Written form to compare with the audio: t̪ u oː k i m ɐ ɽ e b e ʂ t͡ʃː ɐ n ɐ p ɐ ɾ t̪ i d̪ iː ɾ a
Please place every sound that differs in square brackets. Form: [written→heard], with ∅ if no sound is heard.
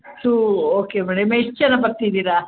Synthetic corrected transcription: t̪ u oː k [i→e] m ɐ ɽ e [b→m] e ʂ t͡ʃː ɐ n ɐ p ɐ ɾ t̪ i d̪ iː ɾ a